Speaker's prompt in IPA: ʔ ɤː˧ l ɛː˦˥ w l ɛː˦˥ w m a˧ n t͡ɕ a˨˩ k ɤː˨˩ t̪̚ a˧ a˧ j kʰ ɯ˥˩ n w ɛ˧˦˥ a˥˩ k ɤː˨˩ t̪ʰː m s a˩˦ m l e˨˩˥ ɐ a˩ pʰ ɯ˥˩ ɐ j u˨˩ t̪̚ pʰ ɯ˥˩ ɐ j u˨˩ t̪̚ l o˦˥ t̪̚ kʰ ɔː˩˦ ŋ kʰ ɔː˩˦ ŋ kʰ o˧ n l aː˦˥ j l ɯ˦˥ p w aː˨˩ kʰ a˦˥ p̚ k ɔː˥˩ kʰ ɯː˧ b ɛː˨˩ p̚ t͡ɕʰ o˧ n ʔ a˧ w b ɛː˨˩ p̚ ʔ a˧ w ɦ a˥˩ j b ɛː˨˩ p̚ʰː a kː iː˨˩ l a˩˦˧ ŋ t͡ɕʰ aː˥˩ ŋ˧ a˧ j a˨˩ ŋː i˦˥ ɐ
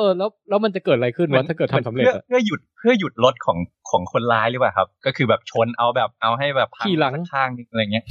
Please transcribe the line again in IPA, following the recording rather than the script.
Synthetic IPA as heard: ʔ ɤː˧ l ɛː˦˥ w l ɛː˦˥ w m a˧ n t͡ɕ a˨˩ k ɤː˨˩ t̪̚ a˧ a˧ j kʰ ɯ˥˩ n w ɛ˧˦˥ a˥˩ k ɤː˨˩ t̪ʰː m s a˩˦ m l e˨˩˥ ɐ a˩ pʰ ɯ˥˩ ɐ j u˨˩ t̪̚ pʰ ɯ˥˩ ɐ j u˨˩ t̪̚ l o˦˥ t̪̚ kʰ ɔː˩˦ ŋ kʰ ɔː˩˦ ŋ kʰ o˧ n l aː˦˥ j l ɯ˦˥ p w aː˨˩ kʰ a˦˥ p̚ k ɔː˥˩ kʰ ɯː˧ b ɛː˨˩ p̚ t͡ɕʰ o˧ n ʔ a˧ w b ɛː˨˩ p̚ ʔ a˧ w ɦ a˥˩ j b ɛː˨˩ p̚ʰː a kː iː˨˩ l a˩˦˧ ŋ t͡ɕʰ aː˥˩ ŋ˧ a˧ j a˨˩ ŋ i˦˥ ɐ